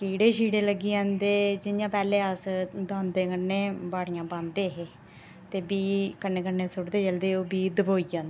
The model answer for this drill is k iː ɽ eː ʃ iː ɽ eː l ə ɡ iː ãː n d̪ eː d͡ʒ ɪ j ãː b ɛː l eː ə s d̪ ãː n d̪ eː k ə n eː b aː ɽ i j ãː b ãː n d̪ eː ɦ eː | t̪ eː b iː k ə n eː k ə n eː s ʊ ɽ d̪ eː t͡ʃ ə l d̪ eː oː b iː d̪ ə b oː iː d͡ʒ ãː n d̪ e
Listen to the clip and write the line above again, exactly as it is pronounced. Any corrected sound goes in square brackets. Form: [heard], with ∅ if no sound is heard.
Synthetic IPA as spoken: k iː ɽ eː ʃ iː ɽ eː l ə ɡ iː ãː n d̪ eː d͡ʒ ɪ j ãː [p] ɛː l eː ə s d̪ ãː n d̪ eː k ə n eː b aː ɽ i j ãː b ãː n d̪ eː ɦ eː | t̪ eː b iː k ə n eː k ə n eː s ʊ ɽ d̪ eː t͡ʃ ə l d̪ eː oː b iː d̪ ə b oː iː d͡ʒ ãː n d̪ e

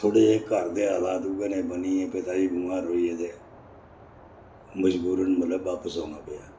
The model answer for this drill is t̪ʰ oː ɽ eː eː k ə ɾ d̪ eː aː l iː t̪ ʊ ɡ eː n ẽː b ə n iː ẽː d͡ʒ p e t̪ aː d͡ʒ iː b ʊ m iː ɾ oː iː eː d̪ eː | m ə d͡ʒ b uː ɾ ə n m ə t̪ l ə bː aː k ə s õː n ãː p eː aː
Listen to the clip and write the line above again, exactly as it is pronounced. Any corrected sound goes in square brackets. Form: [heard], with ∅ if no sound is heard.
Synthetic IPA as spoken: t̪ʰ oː ɽ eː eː k ə ɾ d̪ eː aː l [aː] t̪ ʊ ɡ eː n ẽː b ə n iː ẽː [∅] p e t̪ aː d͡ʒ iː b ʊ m [aː] ɾ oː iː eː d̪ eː | m ə d͡ʒ b uː ɾ ə n m ə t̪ l ə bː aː [p] ə s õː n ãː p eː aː

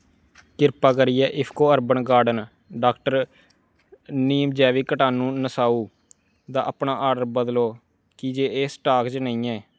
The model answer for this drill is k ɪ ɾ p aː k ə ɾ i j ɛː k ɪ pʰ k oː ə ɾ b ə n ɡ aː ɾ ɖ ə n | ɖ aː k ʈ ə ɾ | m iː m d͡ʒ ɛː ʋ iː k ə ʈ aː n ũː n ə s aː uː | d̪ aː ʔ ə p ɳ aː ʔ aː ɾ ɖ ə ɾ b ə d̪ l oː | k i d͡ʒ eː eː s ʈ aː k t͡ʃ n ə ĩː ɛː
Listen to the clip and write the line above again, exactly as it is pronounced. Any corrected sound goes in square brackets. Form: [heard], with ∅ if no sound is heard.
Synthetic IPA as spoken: k ɪ ɾ p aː k ə ɾ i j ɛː [ʔ] ɪ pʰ k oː ə ɾ b ə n ɡ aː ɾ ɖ ə n | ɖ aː k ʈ ə ɾ | [n] iː m d͡ʒ ɛː ʋ iː k ə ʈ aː n ũː n ə s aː uː | d̪ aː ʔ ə p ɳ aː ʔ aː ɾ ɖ ə ɾ b ə d̪ l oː | k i d͡ʒ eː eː s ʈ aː k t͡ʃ n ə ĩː ɛː

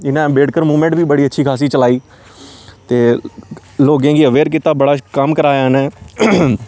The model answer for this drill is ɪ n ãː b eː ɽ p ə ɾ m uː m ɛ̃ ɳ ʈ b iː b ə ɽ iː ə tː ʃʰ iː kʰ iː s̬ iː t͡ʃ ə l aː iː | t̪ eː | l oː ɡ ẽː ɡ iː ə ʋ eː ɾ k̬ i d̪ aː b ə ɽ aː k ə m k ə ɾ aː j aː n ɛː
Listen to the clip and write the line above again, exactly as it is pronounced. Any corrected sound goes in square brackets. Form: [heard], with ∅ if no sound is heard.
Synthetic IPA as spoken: ɪ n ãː b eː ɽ [k] ə ɾ m uː m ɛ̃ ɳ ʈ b iː b ə ɽ iː ə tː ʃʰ iː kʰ [aː] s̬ iː t͡ʃ ə l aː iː | t̪ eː | l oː ɡ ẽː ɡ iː ə ʋ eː ɾ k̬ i [t̪] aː b ə ɽ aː k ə m k ə ɾ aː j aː n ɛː

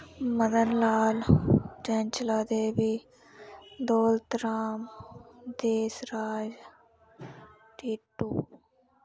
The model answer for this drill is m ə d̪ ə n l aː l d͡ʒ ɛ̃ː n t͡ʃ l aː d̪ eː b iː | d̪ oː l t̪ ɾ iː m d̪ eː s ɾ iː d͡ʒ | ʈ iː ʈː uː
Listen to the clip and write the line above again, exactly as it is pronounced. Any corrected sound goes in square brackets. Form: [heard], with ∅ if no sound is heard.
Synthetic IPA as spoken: m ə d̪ ə n l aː l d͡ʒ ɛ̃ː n t͡ʃ l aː d̪ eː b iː | d̪ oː l t̪ ɾ [aː] m d̪ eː s ɾ [aː] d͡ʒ | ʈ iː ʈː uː

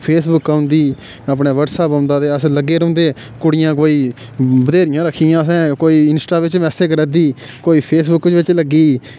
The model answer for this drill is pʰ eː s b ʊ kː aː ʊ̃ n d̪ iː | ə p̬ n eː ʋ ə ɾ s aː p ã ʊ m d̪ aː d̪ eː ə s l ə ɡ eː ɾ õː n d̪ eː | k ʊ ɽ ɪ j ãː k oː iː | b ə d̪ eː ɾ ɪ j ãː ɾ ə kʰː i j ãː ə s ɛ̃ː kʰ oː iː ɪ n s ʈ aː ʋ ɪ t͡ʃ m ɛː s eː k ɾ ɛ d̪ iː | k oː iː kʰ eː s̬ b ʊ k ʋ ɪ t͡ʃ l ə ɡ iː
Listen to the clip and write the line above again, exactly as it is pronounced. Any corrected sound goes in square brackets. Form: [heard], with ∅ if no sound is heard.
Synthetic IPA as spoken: pʰ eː s b ʊ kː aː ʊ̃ n d̪ iː | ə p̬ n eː ʋ ə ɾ s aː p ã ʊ [n] d̪ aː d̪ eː ə s l ə ɡ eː ɾ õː n d̪ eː | k ʊ ɽ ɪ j ãː k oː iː | b ə d̪ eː ɾ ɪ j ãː ɾ ə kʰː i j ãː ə s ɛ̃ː [k] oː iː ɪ n s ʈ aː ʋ ɪ t͡ʃ m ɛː s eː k ɾ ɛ d̪ iː | k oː iː [pʰ] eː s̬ b ʊ k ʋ ɪ t͡ʃ l ə ɡ iː

